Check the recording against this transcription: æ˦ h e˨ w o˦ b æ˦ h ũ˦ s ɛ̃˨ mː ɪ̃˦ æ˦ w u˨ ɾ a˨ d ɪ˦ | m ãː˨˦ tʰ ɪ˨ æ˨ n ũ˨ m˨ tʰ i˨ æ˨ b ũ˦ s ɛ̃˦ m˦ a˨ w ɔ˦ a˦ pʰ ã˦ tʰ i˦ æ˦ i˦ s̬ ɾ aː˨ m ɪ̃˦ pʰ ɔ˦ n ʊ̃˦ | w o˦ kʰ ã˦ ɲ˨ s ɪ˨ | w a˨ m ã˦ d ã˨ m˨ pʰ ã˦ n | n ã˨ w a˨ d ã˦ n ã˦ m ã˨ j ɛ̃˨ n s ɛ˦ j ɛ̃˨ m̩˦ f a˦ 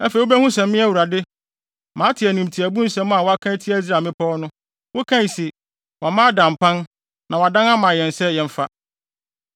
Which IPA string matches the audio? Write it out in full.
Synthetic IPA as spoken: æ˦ f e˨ w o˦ b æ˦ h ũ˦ s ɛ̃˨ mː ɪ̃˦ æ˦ w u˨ ɾ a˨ d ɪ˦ | m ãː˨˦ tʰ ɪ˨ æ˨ n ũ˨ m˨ tʰ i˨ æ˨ b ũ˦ s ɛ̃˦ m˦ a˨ w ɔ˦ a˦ kʰ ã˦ tʰ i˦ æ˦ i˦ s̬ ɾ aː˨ m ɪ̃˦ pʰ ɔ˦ n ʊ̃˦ | w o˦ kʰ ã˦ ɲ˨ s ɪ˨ | w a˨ m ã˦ d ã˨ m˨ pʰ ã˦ n | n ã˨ w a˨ d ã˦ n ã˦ m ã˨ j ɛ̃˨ n s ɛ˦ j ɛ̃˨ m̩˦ f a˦

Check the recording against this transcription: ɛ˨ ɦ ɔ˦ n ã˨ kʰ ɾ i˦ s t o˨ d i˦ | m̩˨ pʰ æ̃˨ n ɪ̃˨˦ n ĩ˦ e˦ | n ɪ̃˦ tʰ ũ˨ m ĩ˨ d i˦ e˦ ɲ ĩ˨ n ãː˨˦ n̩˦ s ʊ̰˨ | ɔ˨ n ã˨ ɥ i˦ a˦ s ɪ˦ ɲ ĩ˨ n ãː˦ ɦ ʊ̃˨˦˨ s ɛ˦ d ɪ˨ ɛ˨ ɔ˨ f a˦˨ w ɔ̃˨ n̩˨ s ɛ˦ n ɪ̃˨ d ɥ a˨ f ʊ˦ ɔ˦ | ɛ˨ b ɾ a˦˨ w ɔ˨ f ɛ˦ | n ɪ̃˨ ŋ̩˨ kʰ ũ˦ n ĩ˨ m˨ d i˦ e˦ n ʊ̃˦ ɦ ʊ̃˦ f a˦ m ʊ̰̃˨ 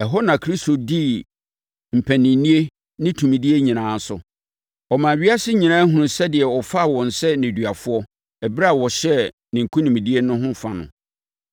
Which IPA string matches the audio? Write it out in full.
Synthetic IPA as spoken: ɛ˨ ɦ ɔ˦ n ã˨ kʰ ɾ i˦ s t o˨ d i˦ | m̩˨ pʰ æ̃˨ n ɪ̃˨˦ n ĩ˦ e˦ | n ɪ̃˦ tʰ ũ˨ m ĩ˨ d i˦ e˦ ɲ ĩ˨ n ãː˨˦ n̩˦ s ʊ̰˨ | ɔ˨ m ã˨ ɥ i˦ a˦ s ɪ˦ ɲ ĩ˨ n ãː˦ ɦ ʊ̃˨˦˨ s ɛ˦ d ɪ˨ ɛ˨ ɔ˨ f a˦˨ w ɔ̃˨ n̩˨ s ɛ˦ n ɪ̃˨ d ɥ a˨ f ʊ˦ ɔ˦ | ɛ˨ b ɾ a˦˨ w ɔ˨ ɕ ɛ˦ | n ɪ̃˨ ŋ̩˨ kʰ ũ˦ n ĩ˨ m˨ d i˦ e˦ n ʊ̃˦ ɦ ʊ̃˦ f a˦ n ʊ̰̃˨

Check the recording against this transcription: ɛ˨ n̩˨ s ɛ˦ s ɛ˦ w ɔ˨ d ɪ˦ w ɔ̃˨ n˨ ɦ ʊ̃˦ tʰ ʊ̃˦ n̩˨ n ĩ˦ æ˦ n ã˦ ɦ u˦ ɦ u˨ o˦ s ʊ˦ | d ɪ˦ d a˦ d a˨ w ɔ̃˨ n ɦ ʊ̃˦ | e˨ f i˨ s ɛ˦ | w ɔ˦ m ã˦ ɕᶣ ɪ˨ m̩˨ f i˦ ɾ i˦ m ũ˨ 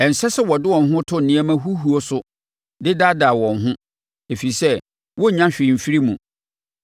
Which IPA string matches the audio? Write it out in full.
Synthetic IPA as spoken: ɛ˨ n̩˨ s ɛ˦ s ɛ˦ w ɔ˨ d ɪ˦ w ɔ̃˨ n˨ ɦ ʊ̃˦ tʰ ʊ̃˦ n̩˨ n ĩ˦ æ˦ m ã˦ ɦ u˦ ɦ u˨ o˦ s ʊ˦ | d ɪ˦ d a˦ d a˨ w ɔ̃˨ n ɦ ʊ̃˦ | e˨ f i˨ s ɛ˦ | w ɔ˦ ɲ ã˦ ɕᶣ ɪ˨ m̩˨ f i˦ ɾ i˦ m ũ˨

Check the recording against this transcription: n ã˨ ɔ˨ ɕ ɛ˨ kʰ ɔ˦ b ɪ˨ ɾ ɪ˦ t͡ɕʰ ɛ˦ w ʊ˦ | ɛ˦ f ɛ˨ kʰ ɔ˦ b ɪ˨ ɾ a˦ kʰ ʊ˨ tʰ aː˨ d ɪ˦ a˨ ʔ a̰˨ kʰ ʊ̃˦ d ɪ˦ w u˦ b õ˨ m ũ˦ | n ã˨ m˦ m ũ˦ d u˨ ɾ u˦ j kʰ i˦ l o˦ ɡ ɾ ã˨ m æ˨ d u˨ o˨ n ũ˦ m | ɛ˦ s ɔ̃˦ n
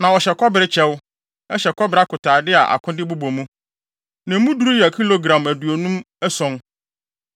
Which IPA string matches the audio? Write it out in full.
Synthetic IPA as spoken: n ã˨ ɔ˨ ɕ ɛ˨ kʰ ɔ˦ b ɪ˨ ɾ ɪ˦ t͡ɕʰ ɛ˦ w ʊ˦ | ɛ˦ ɕ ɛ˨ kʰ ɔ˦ b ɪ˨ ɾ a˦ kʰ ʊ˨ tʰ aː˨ d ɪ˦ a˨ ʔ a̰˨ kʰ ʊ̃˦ d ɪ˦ b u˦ b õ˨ m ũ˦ | n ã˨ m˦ m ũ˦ d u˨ ɾ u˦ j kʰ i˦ l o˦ ɡ ɾ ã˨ m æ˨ d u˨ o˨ n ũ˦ m | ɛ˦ s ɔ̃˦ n

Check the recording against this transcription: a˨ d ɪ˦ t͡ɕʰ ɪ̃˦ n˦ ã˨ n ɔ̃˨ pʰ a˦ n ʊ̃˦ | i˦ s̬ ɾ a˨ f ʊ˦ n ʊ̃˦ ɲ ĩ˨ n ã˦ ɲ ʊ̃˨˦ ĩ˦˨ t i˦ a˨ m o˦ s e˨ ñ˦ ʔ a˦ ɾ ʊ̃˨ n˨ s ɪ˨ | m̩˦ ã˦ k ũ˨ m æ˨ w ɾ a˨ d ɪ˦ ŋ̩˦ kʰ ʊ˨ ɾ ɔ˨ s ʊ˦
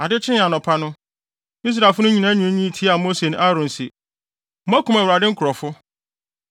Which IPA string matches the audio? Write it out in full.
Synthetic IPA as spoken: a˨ d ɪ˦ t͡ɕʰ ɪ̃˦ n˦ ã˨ n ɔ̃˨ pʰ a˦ n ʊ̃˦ | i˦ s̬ ɾ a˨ f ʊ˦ n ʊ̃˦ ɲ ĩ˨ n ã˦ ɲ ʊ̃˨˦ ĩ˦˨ tʰ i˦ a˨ m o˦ s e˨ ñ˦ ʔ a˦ ɾ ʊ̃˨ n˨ s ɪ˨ | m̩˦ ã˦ k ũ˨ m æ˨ w ɾ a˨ d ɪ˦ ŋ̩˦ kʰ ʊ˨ ɾ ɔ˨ f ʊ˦

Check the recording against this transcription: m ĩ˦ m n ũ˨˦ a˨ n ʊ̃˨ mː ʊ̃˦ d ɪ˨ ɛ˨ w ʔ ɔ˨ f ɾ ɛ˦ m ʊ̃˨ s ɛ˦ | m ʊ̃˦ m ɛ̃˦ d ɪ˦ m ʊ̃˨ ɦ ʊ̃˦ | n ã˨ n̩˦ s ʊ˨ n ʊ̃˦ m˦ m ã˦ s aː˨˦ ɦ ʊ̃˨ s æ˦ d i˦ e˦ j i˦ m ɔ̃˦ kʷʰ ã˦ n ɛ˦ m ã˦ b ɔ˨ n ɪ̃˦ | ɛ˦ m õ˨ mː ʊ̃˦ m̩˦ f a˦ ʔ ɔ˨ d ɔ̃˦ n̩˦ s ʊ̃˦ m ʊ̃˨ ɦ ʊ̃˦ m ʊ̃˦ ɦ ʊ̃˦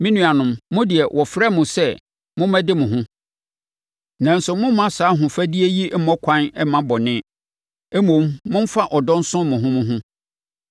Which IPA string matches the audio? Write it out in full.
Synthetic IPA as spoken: m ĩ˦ n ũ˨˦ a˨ n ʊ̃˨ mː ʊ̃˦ d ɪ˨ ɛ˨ w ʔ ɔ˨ f ɾ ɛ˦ m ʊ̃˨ s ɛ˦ | m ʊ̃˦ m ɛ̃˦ d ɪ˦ m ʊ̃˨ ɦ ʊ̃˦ | n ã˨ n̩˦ s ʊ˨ m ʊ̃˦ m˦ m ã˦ s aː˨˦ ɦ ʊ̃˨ f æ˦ d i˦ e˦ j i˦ m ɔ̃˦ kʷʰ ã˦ n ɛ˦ m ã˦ b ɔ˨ n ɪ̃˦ | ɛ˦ m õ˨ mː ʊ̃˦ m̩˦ f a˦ ʔ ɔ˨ d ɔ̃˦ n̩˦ s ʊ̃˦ m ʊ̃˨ ɦ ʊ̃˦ m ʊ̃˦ ɦ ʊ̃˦

